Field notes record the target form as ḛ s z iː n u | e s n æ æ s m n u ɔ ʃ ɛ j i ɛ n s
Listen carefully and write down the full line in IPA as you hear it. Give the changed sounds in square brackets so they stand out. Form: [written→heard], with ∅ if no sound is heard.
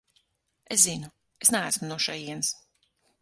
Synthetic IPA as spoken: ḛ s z [iː→i] n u | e s n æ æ s m n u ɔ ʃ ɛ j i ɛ n s